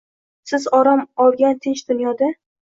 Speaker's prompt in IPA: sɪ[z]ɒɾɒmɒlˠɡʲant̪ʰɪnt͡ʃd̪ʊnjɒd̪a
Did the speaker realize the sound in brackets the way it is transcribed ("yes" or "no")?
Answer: yes